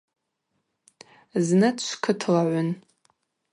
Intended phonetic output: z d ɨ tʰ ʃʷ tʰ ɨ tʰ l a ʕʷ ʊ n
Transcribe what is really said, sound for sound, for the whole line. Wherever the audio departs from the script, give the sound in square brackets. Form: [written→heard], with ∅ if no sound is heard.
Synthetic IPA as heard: z [d→n] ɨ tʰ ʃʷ [tʰ→kʰ] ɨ tʰ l a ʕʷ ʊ n